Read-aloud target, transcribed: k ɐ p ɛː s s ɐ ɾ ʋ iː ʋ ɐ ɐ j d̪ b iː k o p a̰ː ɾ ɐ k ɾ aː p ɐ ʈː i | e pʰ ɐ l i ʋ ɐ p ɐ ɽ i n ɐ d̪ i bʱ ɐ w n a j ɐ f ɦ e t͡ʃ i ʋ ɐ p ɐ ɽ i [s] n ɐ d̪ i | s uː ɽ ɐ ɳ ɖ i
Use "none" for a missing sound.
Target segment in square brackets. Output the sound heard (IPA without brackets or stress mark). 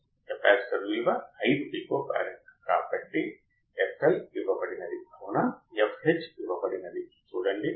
none